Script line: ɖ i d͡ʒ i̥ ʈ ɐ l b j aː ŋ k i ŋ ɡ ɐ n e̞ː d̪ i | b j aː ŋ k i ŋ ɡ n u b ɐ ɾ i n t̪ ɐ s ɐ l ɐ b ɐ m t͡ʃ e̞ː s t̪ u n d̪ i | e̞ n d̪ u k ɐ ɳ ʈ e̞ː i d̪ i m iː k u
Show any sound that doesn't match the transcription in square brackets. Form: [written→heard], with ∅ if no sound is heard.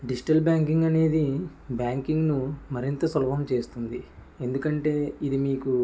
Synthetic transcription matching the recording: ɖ i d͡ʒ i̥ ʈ ɐ l b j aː ŋ k i ŋ ɡ ɐ n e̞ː d̪ i | b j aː ŋ k i ŋ ɡ n u [b→m] ɐ ɾ i n t̪ ɐ s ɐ l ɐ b ɐ m t͡ʃ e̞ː s t̪ u n d̪ i | e̞ n d̪ u k ɐ ɳ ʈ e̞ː i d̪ i m iː k u